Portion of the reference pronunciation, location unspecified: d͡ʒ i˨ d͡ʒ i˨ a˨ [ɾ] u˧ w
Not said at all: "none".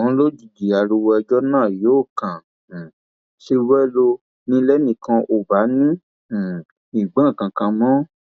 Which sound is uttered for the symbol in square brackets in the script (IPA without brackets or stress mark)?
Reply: ɾ